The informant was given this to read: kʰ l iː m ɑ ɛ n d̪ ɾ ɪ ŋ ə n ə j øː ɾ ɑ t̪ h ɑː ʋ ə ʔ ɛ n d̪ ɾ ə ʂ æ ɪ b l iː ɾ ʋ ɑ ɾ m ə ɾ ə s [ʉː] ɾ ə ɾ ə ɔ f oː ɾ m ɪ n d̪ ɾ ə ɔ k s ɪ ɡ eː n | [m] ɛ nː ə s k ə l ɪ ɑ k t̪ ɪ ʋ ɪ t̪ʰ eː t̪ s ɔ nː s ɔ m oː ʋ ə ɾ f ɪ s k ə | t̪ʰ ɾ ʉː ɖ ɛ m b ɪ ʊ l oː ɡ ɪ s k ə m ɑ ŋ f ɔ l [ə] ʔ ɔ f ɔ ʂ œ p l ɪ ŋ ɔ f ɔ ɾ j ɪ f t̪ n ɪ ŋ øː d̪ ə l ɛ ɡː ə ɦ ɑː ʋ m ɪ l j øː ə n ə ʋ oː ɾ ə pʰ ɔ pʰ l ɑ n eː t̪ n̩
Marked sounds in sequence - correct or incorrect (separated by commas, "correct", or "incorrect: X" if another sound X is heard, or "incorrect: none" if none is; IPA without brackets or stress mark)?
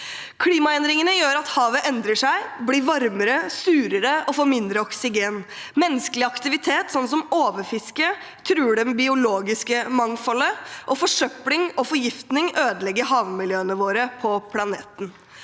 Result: correct, correct, correct